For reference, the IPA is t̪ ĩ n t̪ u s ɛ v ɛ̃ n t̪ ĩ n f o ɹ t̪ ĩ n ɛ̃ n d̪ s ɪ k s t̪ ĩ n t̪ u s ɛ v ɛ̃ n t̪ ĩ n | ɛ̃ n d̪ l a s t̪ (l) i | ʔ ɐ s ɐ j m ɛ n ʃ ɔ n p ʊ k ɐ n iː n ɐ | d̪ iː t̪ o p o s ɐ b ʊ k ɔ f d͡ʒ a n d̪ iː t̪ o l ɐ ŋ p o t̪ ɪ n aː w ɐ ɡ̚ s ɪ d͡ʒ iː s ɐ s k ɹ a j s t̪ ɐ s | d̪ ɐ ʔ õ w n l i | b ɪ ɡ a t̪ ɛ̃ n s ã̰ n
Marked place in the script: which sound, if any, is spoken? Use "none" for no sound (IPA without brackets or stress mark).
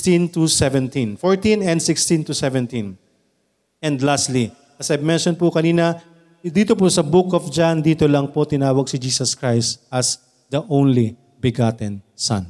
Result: l